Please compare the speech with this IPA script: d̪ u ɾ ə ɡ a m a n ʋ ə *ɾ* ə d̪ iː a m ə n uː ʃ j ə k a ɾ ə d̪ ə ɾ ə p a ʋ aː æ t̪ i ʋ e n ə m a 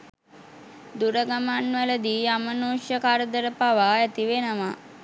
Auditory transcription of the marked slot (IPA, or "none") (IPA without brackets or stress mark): l